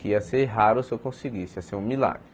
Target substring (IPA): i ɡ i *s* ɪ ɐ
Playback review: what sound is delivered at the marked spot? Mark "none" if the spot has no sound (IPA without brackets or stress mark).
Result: s